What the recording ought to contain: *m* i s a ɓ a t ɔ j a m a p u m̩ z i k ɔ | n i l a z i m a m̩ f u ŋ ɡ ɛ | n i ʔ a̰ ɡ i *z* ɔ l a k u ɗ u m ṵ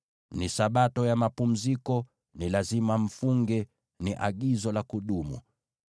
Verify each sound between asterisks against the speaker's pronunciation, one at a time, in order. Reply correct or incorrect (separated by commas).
incorrect, correct